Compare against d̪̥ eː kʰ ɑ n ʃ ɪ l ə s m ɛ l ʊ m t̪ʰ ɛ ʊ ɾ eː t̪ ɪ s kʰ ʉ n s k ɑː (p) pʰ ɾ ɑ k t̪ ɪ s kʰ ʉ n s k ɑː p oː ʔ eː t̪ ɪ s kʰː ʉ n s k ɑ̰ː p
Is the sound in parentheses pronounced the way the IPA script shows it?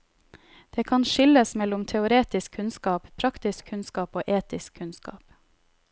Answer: yes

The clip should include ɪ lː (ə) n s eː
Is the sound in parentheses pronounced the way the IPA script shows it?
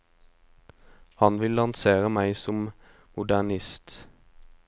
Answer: no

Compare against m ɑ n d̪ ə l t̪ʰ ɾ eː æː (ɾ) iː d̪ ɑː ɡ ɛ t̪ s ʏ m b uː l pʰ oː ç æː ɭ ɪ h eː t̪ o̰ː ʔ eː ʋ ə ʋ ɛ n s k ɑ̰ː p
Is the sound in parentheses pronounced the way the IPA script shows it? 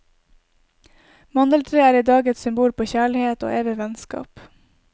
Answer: yes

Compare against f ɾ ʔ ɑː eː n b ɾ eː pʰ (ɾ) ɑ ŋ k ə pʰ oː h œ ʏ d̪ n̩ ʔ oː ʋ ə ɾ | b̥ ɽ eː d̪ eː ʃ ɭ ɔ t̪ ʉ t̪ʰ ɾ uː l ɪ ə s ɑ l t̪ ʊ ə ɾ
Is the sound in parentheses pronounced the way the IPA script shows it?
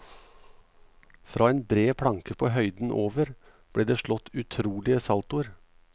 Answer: no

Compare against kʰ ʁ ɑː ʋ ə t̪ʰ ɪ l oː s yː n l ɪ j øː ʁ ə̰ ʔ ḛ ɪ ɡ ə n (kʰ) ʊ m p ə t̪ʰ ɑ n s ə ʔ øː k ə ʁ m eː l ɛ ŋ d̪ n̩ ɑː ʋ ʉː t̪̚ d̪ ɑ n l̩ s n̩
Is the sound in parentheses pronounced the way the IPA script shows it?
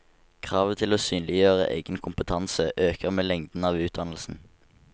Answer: yes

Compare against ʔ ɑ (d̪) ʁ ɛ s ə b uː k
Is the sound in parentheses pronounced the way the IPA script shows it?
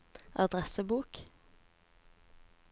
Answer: yes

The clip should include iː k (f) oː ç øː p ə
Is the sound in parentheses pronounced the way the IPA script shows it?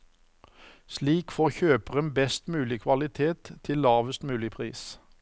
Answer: yes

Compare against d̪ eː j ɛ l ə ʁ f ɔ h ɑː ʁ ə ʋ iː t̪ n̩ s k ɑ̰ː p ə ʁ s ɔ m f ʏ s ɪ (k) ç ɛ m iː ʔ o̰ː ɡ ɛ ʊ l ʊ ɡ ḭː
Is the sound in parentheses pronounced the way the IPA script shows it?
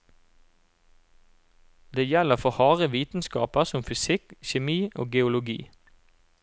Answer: yes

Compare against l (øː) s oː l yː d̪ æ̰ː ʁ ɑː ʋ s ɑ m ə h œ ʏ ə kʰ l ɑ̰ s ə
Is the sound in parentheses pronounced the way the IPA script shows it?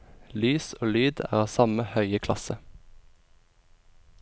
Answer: no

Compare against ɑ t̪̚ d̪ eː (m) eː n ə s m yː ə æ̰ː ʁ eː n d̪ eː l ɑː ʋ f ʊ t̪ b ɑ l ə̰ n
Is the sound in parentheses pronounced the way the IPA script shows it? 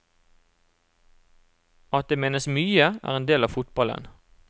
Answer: yes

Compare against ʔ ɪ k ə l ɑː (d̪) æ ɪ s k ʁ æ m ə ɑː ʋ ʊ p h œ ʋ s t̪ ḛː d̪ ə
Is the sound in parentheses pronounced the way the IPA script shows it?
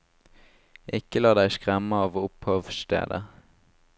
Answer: yes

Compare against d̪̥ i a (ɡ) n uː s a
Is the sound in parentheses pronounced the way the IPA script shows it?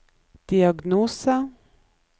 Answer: yes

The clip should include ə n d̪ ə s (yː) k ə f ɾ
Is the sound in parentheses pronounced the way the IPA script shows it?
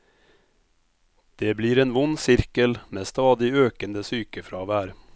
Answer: yes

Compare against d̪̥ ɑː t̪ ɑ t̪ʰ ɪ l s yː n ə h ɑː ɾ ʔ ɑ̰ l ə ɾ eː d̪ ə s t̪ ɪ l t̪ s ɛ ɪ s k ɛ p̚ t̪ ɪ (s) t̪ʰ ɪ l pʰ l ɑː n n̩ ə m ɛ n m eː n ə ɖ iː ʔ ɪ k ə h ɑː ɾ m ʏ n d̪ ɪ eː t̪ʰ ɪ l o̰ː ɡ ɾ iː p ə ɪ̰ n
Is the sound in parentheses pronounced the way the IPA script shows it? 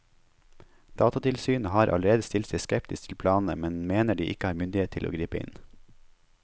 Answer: yes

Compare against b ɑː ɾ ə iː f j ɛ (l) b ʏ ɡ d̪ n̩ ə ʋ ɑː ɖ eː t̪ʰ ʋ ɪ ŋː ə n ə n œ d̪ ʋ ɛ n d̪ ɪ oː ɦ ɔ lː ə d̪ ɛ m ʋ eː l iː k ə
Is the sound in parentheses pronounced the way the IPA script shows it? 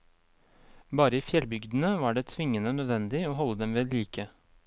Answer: yes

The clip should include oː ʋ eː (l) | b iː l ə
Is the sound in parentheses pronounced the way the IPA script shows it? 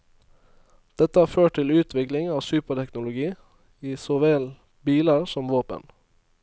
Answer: yes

